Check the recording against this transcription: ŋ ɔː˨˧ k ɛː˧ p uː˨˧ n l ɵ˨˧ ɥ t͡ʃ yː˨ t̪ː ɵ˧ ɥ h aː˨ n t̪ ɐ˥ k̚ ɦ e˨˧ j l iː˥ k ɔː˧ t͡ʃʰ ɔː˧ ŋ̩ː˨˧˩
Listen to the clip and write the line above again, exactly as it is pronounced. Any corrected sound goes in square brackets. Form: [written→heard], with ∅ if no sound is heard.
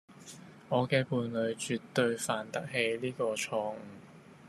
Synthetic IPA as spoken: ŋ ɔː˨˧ k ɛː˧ p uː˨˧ n l ɵ˨˧ ɥ t͡ʃ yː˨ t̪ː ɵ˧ ɥ [h→f] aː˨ n t̪ ɐ˥ k̚ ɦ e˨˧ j l iː˥ k ɔː˧ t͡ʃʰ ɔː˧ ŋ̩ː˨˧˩